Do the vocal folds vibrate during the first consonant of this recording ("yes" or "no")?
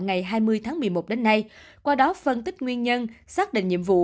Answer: yes